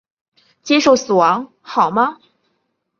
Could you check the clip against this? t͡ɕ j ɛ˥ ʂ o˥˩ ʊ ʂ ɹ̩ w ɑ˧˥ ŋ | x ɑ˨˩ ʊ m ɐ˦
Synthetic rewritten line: t͡ɕ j ɛ˥ ʂ o˥˩ ʊ s ɹ̩ w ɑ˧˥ ŋ | x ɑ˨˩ ʊ m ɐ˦

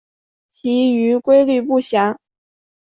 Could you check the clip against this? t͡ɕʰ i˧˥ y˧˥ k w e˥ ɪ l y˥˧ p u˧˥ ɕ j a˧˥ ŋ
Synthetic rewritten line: t͡ɕʰ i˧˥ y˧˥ k w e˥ ɪ l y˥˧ p u˥˩ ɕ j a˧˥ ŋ

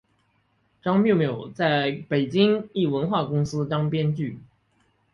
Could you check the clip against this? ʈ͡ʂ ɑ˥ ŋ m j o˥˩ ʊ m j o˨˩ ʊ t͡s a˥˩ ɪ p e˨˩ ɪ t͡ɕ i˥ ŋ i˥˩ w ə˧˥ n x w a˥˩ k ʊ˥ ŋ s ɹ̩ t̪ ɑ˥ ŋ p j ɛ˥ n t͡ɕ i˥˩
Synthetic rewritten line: ʈ͡ʂ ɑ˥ ŋ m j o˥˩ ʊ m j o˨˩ ʊ t͡s a˥˩ ɪ p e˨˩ ɪ t͡ɕ i˥ ŋ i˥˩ w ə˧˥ n x w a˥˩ k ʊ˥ ŋ s ɹ̩ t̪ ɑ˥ ŋ p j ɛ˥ n t͡ɕ y˥˩

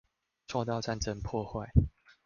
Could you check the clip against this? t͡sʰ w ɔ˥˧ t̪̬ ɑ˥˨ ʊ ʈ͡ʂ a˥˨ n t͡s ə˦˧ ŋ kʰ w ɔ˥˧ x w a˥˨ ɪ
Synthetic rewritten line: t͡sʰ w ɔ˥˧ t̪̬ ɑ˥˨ ʊ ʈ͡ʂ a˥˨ n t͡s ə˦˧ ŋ pʰ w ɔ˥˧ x w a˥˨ ɪ

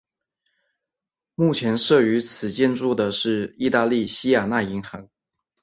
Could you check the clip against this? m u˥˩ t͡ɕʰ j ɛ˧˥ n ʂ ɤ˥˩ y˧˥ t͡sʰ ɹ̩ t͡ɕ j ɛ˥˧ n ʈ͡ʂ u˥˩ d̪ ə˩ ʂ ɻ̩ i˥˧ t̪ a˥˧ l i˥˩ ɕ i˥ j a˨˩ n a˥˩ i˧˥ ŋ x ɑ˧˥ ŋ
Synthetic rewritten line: m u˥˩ t͡ɕʰ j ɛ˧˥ n ʂ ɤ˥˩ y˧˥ t͡sʰ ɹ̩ t͡ɕ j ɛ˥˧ n ʈ͡ʂ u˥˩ d̪ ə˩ ʂ ɻ̩ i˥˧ t̪ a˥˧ l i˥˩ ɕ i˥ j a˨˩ n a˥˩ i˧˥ ŋ x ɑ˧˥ ŋ

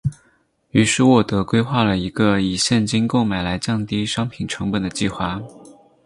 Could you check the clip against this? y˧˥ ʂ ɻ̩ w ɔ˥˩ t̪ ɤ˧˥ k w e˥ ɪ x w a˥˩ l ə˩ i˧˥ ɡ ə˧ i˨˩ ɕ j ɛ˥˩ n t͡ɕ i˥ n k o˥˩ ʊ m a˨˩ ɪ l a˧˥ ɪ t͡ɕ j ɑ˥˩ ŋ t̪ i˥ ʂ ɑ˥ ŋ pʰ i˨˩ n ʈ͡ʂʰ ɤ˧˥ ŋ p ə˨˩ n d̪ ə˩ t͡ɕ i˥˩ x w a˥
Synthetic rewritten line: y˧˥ ʂ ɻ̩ w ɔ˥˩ t̪ ɤ˧˥ k w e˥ ɪ x w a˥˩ l ə˩ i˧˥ ɡ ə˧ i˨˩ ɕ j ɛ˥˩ n t͡ɕ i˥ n k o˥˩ ʊ m a˨˩ ɪ l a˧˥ ɪ t͡ɕ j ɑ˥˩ ŋ t̪ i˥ ʂ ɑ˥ ŋ pʰ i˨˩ n ʈ͡ʂʰ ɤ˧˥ ŋ p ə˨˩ n d̪ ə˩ t͡ɕ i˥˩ x w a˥

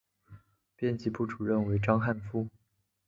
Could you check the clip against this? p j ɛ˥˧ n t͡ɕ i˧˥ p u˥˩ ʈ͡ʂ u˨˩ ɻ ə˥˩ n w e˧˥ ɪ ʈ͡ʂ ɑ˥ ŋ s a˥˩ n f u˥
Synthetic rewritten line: p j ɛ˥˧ n t͡ɕ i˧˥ p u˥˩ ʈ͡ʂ u˨˩ ɻ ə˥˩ n w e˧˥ ɪ ʈ͡ʂ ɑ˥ ŋ x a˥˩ n f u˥

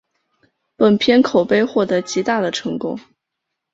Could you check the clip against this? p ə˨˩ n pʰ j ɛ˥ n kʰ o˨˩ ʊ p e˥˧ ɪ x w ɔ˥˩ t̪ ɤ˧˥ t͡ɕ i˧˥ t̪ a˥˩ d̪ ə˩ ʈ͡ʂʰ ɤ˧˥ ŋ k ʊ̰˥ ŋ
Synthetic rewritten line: p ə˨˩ n pʰ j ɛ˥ n kʰ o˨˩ ʊ p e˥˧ ɪ x w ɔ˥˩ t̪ ɤ˧˥ t͡ɕ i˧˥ t̪ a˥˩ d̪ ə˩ ʈ͡ʂʰ ɤ˧˥ ŋ k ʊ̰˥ ŋ

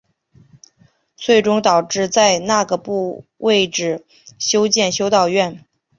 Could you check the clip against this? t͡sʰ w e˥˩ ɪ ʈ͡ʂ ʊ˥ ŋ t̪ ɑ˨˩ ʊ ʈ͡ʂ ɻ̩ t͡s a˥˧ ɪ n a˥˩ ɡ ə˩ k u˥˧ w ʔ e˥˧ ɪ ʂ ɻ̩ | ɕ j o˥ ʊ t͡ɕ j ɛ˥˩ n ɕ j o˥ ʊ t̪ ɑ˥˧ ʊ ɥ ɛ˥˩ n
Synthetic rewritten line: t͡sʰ w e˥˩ ɪ ʈ͡ʂ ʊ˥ ŋ t̪ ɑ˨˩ ʊ ʈ͡ʂ ɻ̩ t͡s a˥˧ ɪ n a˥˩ ɡ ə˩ p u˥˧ w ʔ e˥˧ ɪ ʈ͡ʂ ɻ̩ | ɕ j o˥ ʊ t͡ɕ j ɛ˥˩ n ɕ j o˥ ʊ t̪ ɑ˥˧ ʊ ɥ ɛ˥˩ n

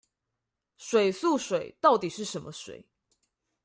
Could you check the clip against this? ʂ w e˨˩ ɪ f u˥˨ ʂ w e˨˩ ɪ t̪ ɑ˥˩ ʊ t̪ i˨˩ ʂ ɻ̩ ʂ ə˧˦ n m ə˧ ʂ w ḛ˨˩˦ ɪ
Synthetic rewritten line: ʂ w e˨˩ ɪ s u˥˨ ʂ w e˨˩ ɪ t̪ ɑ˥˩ ʊ t̪ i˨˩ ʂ ɻ̩ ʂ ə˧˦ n m ə˧ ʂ w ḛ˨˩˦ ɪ

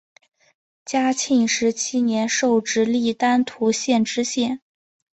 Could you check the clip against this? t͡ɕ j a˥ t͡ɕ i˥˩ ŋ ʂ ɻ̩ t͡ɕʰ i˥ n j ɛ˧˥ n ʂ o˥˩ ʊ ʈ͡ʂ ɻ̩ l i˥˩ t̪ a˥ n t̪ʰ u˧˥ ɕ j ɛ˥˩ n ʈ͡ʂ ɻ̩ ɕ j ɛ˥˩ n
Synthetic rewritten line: t͡ɕ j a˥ t͡ɕʰ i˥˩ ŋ ʂ ɻ̩ t͡ɕʰ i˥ n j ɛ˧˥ n ʂ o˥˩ ʊ ʈ͡ʂ ɻ̩ l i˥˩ t̪ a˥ n t̪ʰ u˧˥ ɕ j ɛ˥˩ n ʈ͡ʂ ɻ̩ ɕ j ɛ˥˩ n

